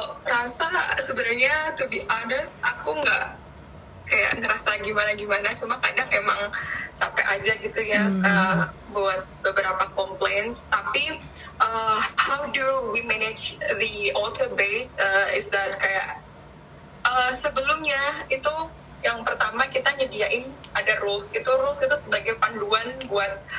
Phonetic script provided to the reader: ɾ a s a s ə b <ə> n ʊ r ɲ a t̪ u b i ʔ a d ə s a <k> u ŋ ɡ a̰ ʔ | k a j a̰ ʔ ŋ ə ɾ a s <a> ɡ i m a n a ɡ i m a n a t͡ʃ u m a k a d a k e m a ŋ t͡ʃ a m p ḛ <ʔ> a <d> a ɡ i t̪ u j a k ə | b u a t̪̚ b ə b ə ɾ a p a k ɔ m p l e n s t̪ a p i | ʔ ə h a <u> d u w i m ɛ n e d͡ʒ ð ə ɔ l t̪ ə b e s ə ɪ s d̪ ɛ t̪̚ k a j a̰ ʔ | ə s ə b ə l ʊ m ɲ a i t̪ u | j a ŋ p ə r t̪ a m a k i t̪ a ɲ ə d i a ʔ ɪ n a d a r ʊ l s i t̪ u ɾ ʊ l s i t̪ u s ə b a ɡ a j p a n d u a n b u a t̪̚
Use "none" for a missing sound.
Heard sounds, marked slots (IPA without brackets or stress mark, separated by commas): ə, k, a, ʔ, d͡ʒ, w